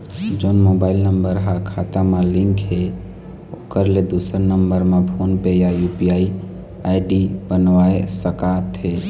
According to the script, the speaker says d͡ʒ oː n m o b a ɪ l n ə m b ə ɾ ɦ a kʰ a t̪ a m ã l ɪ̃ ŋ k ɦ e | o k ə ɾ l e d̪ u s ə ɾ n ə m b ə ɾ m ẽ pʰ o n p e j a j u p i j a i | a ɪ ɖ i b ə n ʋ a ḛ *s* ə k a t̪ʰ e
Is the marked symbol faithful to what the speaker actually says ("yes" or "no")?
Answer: yes